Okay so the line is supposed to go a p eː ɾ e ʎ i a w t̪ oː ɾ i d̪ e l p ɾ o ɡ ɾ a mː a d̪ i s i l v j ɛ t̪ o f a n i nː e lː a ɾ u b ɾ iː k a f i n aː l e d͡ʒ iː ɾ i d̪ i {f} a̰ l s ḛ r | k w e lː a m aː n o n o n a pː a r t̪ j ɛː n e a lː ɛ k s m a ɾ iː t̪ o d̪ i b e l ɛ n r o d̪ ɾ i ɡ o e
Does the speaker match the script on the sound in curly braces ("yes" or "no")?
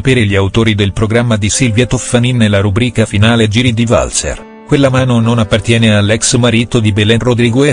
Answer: no